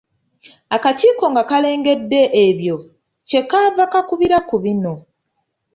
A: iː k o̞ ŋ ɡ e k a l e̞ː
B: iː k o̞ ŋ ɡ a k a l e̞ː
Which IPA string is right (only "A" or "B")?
B